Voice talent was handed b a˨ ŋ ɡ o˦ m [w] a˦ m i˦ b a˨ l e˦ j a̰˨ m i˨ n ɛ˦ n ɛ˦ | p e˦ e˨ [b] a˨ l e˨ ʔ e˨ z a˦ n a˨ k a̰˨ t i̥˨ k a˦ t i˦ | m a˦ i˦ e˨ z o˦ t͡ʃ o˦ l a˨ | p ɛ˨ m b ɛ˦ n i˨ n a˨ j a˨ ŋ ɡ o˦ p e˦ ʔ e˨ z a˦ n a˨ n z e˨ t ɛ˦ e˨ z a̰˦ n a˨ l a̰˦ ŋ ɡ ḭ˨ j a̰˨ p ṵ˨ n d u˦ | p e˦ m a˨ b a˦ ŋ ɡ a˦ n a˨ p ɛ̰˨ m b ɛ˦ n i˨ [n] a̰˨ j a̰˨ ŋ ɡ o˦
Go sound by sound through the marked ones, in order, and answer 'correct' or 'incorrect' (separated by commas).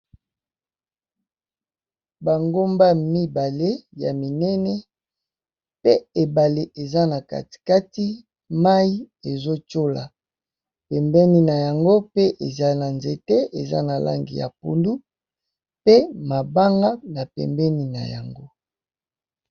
incorrect, correct, correct